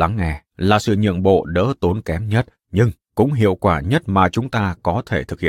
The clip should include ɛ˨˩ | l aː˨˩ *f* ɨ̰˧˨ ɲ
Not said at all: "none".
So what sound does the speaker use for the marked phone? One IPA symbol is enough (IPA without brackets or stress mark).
s